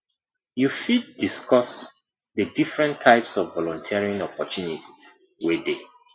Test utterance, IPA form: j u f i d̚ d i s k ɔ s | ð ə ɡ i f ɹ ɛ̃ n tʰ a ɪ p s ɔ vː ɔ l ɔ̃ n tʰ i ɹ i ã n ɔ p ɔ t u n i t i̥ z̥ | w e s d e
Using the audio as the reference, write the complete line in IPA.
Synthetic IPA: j u f i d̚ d i s k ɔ s | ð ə d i f ɹ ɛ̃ n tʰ a ɪ p s ɔ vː ɔ l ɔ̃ n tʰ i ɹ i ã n ɔ p ɔ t u n i t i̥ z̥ | w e d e